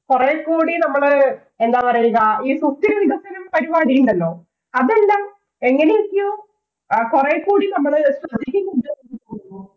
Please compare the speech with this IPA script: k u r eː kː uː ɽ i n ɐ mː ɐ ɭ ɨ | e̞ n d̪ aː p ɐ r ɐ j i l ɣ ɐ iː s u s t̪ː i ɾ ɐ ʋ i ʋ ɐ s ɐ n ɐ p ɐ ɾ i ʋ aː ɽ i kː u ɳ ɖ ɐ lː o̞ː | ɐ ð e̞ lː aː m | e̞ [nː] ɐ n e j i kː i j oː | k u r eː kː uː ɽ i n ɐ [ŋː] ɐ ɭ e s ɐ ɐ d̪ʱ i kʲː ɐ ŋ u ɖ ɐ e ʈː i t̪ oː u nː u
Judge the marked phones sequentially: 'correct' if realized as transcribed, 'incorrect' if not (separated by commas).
incorrect, incorrect